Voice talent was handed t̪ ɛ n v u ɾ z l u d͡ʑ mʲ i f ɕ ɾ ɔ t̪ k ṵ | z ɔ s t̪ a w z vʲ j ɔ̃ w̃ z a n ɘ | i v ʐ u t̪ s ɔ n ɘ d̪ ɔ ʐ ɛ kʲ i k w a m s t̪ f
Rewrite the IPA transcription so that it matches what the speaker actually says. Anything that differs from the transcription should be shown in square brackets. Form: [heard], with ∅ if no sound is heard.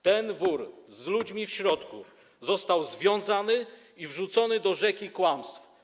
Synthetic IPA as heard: t̪ ɛ n v u ɾ z l u d͡ʑ mʲ i f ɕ ɾ ɔ t̪ k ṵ | z ɔ s t̪ a w z vʲ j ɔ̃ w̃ z a n ɘ | i v ʐ u t̪ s ɔ n ɘ d̪ ɔ ʐ ɛ kʲ i k w a m s t̪ f